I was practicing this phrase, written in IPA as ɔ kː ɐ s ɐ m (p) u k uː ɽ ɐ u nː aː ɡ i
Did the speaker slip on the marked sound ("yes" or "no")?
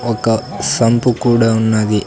no